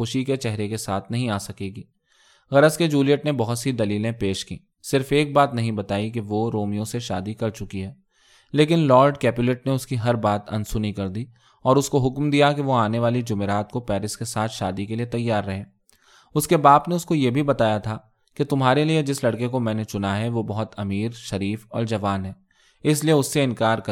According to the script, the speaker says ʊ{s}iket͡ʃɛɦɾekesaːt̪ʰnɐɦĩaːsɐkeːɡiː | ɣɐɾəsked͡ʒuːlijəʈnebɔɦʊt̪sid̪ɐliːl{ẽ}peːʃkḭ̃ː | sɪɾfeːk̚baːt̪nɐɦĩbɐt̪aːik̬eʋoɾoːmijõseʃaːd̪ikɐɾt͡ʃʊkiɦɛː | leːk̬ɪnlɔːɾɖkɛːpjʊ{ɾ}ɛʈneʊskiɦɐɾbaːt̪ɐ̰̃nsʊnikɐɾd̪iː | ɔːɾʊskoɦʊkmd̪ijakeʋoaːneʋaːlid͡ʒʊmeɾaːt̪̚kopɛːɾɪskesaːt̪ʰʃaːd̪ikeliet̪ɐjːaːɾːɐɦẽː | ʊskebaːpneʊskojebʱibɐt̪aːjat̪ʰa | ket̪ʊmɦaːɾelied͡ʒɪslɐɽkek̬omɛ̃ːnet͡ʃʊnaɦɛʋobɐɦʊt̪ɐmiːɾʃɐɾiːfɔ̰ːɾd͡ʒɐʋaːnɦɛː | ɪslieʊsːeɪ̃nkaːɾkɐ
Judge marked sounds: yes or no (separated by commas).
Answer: no, yes, no